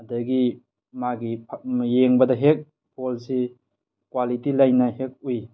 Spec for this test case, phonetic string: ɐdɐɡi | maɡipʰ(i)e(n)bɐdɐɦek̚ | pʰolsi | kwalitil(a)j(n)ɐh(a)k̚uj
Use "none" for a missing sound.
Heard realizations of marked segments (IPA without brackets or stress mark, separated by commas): j, ŋ, a, n, e